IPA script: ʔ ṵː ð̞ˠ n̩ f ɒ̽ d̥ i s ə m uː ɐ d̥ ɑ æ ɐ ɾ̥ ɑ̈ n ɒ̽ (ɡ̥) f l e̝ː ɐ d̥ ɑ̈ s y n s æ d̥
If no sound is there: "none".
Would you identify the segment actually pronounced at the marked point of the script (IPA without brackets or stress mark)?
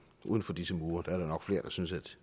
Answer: ɡ̥